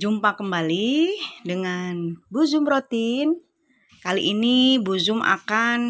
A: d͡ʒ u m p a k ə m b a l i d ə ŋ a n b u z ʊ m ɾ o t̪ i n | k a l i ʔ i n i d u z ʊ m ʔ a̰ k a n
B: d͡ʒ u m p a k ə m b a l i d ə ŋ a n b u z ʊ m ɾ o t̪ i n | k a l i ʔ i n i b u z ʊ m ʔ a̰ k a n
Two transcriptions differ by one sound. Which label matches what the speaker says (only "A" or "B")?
B